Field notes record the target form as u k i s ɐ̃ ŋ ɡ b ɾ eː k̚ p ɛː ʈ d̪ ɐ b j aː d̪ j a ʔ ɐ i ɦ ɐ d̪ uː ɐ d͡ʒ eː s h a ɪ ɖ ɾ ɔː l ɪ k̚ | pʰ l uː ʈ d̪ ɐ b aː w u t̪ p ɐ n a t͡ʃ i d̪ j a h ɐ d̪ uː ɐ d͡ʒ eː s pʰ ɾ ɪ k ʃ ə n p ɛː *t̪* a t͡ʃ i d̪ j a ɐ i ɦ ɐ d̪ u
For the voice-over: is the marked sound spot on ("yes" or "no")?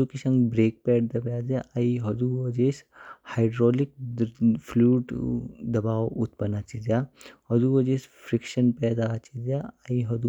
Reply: no